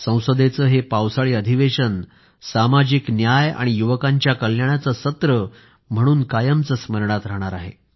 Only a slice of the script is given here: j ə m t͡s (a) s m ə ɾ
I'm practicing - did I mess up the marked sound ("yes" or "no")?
yes